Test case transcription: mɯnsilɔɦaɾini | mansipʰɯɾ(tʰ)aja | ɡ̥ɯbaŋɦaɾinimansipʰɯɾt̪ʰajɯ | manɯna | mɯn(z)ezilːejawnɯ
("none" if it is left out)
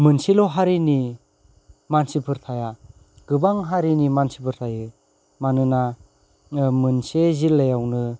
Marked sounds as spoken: tʰ, s

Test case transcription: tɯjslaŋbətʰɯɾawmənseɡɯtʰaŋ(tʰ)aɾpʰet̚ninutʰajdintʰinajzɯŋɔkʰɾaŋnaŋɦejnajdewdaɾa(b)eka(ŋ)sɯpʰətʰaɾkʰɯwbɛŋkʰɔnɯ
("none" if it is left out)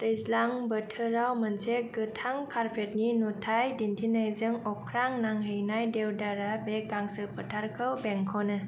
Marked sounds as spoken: kʰ, b, ŋ

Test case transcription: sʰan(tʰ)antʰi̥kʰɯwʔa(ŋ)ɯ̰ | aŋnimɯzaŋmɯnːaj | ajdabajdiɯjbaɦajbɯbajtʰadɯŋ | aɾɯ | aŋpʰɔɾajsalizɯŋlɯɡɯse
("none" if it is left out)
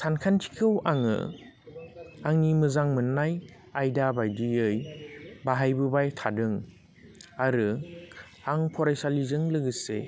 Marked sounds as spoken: kʰ, ŋ

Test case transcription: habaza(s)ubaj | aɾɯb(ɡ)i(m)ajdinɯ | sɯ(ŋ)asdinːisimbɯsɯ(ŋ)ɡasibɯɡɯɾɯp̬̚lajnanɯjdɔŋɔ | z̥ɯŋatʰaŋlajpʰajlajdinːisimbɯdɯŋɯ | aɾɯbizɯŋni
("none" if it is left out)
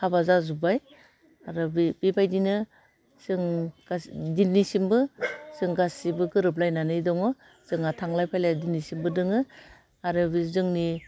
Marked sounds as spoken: z, b, b, ŋ, ŋ

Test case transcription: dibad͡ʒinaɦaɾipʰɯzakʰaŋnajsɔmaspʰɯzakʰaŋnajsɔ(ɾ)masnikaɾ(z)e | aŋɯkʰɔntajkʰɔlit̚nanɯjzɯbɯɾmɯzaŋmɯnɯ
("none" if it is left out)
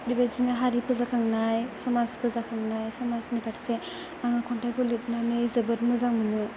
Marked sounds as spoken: none, s

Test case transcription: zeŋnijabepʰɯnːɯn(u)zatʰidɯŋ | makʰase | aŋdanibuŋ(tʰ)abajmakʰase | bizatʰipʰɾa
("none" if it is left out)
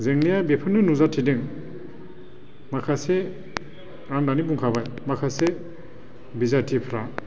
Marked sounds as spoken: u, kʰ

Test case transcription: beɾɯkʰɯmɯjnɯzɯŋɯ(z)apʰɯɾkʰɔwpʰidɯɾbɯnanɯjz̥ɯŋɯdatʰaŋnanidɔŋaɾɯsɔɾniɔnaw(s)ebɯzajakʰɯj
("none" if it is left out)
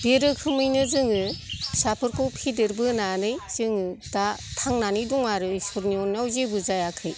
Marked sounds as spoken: s, z

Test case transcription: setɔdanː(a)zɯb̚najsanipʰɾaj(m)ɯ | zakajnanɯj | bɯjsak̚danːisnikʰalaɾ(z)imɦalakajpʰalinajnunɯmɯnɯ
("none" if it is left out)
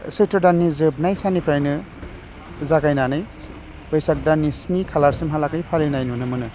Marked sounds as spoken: i, n, s

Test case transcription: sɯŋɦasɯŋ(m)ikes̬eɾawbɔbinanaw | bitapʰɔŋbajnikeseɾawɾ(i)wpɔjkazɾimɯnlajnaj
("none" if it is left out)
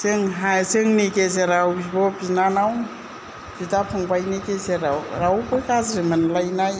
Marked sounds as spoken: n, a

